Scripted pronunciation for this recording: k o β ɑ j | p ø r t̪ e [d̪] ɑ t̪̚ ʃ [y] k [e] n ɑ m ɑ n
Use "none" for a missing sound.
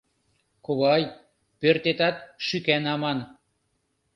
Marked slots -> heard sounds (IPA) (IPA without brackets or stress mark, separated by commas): t̪, y, æ